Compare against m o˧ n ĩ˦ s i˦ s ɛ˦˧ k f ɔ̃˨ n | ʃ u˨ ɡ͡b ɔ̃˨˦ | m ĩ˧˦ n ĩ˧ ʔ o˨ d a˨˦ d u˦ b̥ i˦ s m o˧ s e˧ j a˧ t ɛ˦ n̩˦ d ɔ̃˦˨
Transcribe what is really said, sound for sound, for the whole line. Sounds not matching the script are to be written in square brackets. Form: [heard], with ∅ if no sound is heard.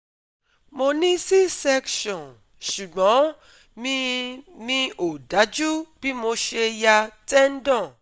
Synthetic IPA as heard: m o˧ n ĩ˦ s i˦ s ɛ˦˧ k [ʃ] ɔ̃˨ n | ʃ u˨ ɡ͡b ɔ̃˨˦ | m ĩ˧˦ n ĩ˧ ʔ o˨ d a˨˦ [d͡ʒ] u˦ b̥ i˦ [∅] m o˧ [ʃ] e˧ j a˧ t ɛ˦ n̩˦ d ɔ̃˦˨